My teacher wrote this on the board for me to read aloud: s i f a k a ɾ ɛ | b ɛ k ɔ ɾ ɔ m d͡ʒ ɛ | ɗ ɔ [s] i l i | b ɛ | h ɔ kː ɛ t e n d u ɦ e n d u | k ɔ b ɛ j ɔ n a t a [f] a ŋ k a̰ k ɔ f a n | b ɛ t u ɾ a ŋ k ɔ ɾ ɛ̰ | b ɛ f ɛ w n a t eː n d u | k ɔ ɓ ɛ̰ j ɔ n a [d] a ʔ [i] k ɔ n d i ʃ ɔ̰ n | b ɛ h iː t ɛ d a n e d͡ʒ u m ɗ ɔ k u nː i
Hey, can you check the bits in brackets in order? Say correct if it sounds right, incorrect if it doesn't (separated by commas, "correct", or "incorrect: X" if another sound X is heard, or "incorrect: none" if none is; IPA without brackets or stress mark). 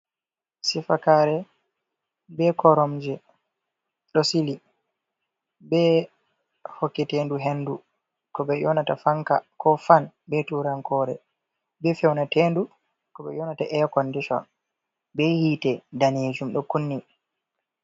correct, correct, incorrect: t, incorrect: ɛ